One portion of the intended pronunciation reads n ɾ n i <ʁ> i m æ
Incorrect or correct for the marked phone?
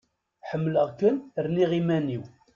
correct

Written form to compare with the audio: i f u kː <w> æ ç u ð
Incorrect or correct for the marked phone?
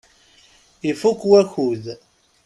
correct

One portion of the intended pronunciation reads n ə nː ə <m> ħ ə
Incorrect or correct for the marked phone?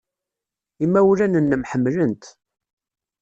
correct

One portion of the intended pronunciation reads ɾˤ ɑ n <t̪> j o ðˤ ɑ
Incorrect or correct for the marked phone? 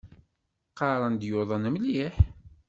incorrect: d̪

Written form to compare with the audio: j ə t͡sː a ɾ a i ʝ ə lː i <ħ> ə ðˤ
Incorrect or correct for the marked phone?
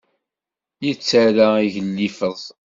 incorrect: f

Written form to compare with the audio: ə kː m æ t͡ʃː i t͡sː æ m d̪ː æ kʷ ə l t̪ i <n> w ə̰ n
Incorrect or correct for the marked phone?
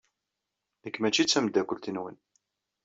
correct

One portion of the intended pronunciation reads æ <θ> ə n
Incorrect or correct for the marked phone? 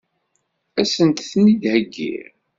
incorrect: s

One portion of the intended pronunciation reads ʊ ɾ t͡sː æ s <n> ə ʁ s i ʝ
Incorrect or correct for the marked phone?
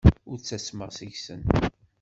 incorrect: m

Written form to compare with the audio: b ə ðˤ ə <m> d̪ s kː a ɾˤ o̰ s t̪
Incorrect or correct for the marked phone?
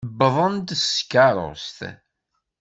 incorrect: n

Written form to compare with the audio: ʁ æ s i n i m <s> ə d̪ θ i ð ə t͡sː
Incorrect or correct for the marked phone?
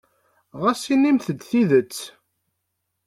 incorrect: θ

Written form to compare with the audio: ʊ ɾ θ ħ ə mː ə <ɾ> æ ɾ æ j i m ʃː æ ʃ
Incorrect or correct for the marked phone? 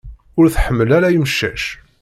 incorrect: l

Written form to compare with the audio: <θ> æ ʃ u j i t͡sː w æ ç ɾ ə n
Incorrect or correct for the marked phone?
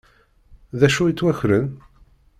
incorrect: ð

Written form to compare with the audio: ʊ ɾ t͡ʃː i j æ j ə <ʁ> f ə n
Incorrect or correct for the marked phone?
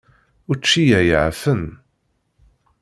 incorrect: ʕ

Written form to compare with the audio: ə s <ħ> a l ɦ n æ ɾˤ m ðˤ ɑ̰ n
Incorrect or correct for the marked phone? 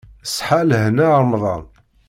correct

